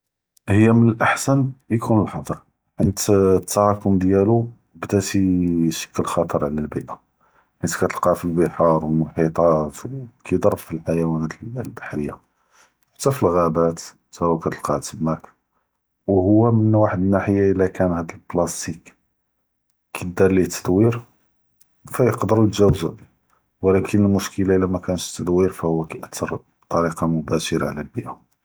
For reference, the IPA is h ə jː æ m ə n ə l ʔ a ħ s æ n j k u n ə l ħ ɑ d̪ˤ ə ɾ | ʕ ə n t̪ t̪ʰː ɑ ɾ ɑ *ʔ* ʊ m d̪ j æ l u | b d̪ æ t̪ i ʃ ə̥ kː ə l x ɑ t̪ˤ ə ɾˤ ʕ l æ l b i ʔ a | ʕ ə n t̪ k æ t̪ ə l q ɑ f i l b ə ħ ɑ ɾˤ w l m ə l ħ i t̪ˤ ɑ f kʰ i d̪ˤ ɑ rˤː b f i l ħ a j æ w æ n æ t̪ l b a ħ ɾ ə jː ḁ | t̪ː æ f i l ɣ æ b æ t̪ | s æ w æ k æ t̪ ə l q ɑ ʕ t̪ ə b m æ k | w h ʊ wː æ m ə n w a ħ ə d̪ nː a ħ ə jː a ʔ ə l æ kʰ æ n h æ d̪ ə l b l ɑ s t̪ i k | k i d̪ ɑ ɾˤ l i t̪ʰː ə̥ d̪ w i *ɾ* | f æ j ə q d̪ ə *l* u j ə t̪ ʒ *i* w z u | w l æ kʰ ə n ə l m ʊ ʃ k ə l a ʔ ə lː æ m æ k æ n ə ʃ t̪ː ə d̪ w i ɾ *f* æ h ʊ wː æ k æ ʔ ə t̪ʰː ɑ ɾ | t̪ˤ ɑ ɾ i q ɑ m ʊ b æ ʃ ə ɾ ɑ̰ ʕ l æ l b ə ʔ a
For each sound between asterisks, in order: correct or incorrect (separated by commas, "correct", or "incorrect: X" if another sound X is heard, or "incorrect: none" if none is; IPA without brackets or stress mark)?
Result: incorrect: k, correct, incorrect: ɾ, incorrect: æ, correct